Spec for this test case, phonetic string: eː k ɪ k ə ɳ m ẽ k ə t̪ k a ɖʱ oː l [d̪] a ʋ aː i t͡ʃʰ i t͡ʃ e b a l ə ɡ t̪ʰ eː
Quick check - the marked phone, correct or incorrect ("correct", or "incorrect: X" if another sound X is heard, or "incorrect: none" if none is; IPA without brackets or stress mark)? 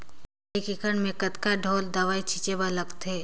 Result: correct